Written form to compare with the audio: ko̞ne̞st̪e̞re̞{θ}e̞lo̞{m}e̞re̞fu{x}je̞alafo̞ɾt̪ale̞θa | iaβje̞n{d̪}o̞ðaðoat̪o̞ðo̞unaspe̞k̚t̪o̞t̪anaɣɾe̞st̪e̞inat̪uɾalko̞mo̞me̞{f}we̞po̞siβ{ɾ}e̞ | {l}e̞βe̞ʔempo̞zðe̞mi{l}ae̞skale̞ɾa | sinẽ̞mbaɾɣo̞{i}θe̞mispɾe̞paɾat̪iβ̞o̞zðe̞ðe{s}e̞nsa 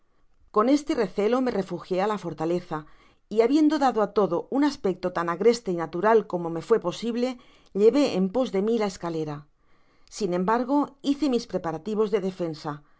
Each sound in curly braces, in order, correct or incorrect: correct, correct, correct, correct, correct, incorrect: l, incorrect: ʎ, correct, correct, incorrect: f

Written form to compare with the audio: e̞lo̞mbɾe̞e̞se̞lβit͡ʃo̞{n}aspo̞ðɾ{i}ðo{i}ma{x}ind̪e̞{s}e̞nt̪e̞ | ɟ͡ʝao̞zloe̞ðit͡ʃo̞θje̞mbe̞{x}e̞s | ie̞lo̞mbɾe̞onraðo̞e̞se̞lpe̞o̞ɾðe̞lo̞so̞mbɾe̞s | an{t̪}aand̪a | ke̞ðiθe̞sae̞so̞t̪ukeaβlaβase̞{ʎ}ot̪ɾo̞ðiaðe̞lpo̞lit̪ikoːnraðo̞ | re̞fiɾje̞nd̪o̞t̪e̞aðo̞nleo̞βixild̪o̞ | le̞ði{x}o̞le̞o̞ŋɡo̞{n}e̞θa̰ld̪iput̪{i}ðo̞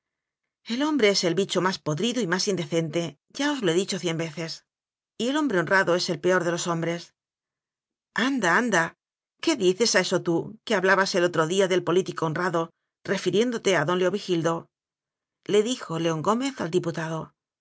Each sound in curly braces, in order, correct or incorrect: incorrect: m, correct, correct, incorrect: s, incorrect: θ, incorrect: θ, incorrect: d̪, incorrect: l, correct, incorrect: m, incorrect: a

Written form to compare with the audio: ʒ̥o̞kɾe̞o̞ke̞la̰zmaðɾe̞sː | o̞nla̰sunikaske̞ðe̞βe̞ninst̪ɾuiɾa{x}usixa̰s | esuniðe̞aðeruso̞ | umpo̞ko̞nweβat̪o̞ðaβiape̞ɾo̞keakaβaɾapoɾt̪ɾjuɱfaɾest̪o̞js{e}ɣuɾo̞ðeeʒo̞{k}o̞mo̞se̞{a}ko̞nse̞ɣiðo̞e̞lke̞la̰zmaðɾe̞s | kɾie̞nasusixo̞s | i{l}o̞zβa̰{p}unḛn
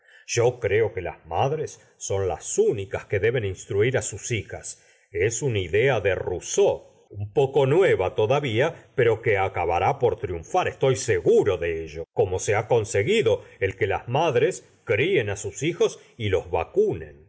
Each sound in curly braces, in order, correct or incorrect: incorrect: s, correct, correct, correct, correct, incorrect: k

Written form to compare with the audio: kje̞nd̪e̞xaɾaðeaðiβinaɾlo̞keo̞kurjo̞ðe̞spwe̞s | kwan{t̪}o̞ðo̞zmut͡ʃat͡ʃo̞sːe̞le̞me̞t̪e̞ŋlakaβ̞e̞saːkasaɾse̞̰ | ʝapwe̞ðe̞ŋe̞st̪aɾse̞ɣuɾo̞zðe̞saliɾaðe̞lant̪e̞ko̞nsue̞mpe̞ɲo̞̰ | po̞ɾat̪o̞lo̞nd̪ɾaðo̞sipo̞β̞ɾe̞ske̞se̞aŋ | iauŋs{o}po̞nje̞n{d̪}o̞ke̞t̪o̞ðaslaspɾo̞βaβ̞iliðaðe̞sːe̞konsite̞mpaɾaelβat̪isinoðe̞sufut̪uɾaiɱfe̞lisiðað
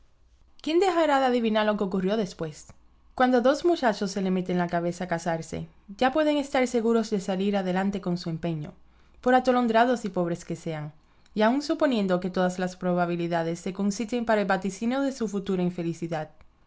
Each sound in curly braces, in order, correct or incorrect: incorrect: d̪, incorrect: u, correct

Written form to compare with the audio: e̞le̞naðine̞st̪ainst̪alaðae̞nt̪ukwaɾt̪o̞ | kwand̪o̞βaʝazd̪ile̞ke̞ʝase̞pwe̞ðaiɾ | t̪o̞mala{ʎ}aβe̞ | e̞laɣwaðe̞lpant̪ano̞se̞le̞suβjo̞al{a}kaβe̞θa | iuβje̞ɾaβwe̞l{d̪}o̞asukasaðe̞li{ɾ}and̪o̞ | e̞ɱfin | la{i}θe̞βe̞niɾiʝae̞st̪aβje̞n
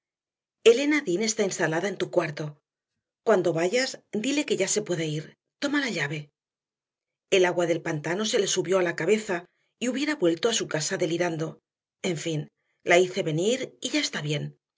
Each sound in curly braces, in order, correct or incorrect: correct, correct, incorrect: t̪, correct, correct

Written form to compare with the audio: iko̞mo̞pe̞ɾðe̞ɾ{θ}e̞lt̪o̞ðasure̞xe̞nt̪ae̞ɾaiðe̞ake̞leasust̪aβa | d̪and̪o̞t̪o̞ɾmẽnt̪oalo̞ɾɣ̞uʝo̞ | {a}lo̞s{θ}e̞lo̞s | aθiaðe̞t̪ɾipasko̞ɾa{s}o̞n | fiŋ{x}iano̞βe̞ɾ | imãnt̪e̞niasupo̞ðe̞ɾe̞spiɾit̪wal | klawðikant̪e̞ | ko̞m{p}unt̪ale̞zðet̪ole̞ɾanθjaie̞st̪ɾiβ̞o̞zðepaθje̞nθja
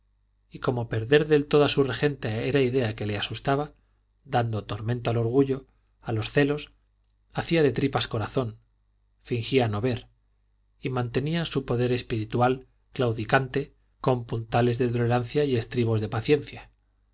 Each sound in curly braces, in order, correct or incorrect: incorrect: ð, correct, correct, incorrect: θ, correct, correct

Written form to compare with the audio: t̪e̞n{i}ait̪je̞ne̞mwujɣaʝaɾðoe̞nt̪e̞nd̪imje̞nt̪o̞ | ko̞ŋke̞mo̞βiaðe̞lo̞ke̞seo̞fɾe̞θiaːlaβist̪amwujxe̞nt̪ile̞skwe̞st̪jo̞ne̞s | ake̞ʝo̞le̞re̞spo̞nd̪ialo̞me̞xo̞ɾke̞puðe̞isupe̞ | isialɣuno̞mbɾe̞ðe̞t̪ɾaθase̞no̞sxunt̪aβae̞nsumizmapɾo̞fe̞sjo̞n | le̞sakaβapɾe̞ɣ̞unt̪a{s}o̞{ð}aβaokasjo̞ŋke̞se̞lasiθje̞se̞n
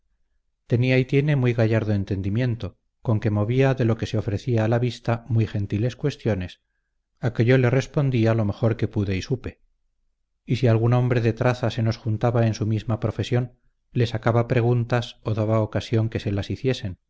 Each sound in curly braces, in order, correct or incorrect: correct, correct, correct

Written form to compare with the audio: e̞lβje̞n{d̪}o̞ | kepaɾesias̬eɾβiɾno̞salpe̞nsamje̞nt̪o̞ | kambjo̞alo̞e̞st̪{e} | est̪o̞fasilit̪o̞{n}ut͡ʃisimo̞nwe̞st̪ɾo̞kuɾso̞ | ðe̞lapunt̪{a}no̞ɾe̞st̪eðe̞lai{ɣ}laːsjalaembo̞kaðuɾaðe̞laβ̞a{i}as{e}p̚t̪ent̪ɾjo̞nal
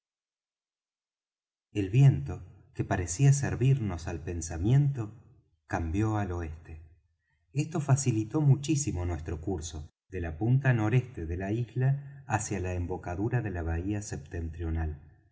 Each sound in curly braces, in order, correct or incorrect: incorrect: t̪, correct, incorrect: m, correct, incorrect: z, correct, correct

